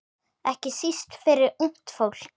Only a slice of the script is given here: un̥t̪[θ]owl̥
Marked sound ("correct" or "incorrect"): incorrect